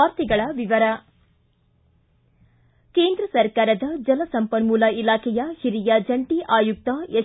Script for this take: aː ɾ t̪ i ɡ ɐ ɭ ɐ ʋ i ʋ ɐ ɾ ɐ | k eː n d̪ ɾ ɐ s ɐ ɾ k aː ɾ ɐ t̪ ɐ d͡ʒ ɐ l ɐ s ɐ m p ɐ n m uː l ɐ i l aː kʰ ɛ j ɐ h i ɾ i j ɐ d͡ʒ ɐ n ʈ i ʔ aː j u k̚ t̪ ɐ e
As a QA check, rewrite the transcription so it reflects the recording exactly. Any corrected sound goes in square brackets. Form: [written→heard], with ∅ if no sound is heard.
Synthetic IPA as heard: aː ɾ t̪ i ɡ ɐ ɭ ɐ ʋ i ʋ ɐ ɾ ɐ | k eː n d̪ ɾ ɐ s ɐ ɾ k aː ɾ ɐ [t̪→d̪] ɐ d͡ʒ ɐ l ɐ s ɐ m p ɐ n m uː l ɐ i l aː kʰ ɛ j ɐ h i ɾ i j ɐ d͡ʒ ɐ [n→ɳ] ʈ i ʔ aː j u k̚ t̪ ɐ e

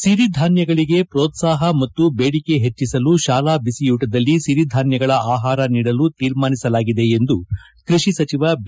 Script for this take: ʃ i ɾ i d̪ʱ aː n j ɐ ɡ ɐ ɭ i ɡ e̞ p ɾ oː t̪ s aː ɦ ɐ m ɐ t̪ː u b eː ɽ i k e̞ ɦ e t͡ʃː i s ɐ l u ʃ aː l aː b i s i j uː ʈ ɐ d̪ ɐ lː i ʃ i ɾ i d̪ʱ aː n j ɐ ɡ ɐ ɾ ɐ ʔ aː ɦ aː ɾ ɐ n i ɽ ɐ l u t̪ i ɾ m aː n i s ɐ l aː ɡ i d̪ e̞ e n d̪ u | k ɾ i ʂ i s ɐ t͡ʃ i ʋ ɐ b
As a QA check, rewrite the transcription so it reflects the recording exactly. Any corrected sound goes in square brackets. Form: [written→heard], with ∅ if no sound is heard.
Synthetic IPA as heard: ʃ i ɾ i d̪ʱ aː n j ɐ ɡ ɐ ɭ i ɡ e̞ p ɾ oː t̪ s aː ɦ ɐ m ɐ t̪ː u b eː ɽ i k e̞ ɦ e t͡ʃː i s ɐ l u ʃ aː l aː b i s i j uː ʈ ɐ d̪ ɐ lː i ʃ i ɾ i d̪ʱ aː n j ɐ ɡ ɐ [ɾ→ɭ] ɐ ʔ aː ɦ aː ɾ ɐ n [i→iː] ɽ ɐ l u t̪ [i→iː] ɾ m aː n i s ɐ l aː ɡ i d̪ e̞ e n d̪ u | k ɾ i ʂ i s ɐ t͡ʃ i ʋ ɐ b

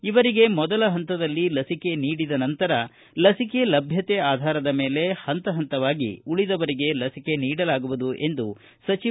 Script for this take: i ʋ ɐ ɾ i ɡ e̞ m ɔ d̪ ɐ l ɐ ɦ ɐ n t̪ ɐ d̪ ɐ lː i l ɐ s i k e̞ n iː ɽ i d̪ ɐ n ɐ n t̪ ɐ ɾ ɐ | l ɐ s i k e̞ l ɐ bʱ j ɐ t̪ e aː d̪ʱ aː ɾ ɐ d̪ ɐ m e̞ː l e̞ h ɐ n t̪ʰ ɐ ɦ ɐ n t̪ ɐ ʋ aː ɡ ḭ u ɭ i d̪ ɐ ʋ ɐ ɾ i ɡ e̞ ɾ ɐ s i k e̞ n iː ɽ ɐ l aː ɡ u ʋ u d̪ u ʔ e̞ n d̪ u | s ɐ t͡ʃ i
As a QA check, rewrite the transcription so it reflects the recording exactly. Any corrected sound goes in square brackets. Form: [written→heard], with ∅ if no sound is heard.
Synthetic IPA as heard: i ʋ ɐ ɾ i ɡ e̞ m ɔ d̪ ɐ l ɐ ɦ ɐ n t̪ ɐ d̪ ɐ lː i l ɐ s i k e̞ n iː ɽ i d̪ ɐ n ɐ n t̪ ɐ ɾ ɐ | l ɐ s i k e̞ l ɐ bʱ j ɐ t̪ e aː d̪ʱ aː ɾ ɐ d̪ ɐ m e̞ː l e̞ h ɐ n [t̪ʰ→t̪] ɐ ɦ ɐ n t̪ ɐ ʋ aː ɡ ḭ u ɭ i d̪ ɐ ʋ ɐ ɾ i ɡ e̞ [ɾ→l] ɐ s i k e̞ n iː ɽ ɐ l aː ɡ u ʋ u d̪ u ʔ e̞ n d̪ u | s ɐ t͡ʃ i

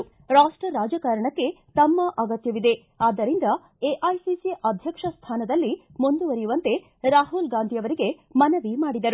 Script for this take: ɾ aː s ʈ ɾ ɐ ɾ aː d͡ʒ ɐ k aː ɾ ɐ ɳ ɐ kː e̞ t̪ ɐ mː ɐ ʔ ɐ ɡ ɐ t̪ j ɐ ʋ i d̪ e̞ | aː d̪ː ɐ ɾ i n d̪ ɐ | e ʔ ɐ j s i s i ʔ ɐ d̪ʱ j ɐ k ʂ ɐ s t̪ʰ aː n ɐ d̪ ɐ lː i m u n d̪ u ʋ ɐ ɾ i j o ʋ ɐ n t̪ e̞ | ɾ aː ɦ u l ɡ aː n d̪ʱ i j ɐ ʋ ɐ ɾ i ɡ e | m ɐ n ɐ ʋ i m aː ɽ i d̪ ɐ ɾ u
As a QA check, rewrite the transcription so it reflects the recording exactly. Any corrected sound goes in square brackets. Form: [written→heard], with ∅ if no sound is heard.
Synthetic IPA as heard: ɾ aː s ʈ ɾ ɐ ɾ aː d͡ʒ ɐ k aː ɾ ɐ ɳ ɐ kː e̞ t̪ ɐ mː ɐ ʔ ɐ ɡ ɐ t̪ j ɐ ʋ i d̪ e̞ | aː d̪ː ɐ ɾ i n d̪ ɐ | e ʔ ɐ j s i s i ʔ ɐ d̪ʱ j ɐ k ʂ ɐ s t̪ʰ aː n ɐ d̪ ɐ lː i m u n d̪ u ʋ ɐ ɾ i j [o→u] ʋ ɐ n t̪ e̞ | ɾ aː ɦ u l ɡ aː n d̪ʱ i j ɐ ʋ ɐ ɾ i ɡ e | m ɐ n ɐ ʋ i m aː ɽ i d̪ ɐ ɾ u

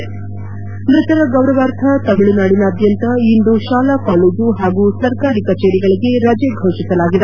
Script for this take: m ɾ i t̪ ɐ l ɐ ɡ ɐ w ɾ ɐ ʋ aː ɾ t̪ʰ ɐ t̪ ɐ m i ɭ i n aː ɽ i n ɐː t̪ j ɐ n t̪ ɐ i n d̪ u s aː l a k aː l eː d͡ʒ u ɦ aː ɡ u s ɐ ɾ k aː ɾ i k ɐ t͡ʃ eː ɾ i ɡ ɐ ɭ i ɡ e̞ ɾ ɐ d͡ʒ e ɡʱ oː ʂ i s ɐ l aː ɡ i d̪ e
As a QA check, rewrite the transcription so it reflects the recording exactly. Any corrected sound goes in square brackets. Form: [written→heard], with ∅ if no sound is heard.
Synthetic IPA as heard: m ɾ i t̪ ɐ [l→ɾ] ɐ ɡ ɐ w ɾ ɐ ʋ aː ɾ t̪ʰ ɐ t̪ ɐ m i ɭ i n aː ɽ i n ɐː [t̪→d̪] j ɐ n t̪ ɐ i n d̪ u [s→ʃ] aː l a k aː l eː d͡ʒ u ɦ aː ɡ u s ɐ ɾ k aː ɾ i k ɐ t͡ʃ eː ɾ i ɡ ɐ ɭ i ɡ e̞ ɾ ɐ d͡ʒ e ɡʱ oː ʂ i s ɐ l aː ɡ i d̪ e

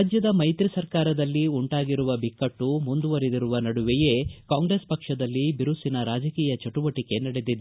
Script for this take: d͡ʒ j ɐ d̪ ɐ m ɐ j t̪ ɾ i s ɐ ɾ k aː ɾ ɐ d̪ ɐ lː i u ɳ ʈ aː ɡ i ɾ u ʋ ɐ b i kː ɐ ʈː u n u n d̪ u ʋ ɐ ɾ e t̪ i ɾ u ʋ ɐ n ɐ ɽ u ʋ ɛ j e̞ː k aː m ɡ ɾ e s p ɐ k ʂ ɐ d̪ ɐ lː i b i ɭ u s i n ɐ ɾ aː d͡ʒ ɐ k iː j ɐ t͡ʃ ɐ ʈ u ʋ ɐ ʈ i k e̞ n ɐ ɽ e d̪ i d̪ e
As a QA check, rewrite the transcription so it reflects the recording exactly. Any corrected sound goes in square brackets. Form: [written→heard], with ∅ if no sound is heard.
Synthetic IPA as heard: d͡ʒ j ɐ d̪ ɐ m ɐ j t̪ ɾ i s ɐ ɾ k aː ɾ ɐ d̪ ɐ lː i u ɳ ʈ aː ɡ i ɾ u ʋ ɐ b i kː ɐ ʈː u [n→m] u n d̪ u ʋ ɐ ɾ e [t̪→d̪] i ɾ u ʋ ɐ n ɐ ɽ u ʋ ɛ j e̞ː k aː [m→ŋ] ɡ ɾ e s p ɐ k ʂ ɐ d̪ ɐ lː i b i [ɭ→ɾ] u s i n ɐ ɾ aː d͡ʒ ɐ k iː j ɐ t͡ʃ ɐ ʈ u ʋ ɐ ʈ i k e̞ n ɐ ɽ e d̪ i d̪ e

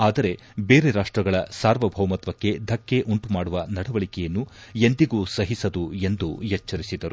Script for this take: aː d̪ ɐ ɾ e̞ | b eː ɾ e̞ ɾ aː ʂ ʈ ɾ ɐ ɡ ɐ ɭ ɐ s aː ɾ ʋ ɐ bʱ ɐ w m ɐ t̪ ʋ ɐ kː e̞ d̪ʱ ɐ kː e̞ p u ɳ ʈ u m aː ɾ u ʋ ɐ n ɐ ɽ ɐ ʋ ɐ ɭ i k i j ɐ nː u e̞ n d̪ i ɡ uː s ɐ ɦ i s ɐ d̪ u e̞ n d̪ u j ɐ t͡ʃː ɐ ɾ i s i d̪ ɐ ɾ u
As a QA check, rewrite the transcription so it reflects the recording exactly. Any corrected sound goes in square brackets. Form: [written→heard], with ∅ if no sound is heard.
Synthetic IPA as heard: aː d̪ ɐ ɾ e̞ | b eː ɾ e̞ ɾ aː ʂ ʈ ɾ ɐ ɡ ɐ ɭ ɐ s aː ɾ ʋ ɐ bʱ ɐ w m ɐ t̪ ʋ ɐ kː e̞ d̪ʱ ɐ kː e̞ [p→ʔ] u ɳ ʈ u m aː [ɾ→ɽ] u ʋ ɐ n ɐ ɽ ɐ ʋ ɐ ɭ i k [i→ɛ] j ɐ nː u e̞ n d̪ i ɡ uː s ɐ ɦ i s ɐ d̪ u e̞ n d̪ u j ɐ t͡ʃː ɐ ɾ i s i d̪ ɐ ɾ u

